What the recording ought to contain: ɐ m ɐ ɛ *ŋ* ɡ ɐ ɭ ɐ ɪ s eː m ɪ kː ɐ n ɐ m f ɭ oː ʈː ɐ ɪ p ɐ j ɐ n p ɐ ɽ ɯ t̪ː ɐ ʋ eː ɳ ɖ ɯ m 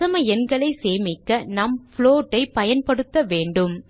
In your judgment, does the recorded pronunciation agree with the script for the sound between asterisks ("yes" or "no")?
no